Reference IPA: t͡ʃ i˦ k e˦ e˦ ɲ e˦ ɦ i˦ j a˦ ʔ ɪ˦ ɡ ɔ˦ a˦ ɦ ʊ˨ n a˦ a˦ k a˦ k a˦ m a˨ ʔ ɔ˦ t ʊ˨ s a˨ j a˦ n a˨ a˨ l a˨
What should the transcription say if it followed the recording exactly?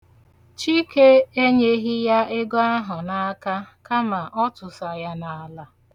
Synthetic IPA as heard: t͡ʃ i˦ k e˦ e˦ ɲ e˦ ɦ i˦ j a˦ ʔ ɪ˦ ɡ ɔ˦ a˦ ɦ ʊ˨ n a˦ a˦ k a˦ k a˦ m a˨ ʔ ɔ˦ t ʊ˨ s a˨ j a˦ n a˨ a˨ l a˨